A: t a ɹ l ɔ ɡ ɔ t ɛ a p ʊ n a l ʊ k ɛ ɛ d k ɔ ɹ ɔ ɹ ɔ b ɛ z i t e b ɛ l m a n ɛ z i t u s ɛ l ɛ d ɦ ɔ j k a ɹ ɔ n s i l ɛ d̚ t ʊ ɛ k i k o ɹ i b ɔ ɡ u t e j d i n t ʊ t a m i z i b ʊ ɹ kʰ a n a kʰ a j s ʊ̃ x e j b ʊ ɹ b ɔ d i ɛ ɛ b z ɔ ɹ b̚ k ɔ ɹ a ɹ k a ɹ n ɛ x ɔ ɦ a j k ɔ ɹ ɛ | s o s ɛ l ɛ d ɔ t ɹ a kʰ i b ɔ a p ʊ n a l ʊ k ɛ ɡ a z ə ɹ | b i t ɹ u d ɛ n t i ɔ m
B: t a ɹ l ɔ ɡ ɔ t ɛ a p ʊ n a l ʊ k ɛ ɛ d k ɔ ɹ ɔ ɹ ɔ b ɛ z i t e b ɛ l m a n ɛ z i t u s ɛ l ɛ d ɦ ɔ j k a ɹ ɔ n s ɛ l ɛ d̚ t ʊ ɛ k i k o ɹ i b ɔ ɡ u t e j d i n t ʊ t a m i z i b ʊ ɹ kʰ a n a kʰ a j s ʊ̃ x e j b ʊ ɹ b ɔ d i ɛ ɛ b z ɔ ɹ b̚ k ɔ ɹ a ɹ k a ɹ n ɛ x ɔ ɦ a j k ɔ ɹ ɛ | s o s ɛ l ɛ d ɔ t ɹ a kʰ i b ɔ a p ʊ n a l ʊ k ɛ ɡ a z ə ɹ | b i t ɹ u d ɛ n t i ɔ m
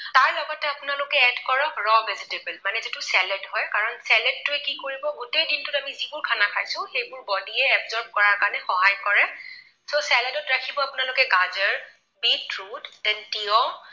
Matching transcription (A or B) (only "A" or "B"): B